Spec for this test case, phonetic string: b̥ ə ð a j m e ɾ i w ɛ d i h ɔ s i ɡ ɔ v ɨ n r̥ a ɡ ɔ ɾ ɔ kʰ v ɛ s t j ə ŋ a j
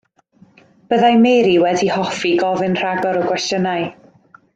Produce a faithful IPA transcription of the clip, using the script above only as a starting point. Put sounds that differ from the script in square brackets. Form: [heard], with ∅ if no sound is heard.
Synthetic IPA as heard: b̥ ə ð a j m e ɾ i w ɛ d i h ɔ [f] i ɡ ɔ v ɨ n r̥ a ɡ ɔ ɾ ɔ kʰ [w] ɛ s t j ə [n] a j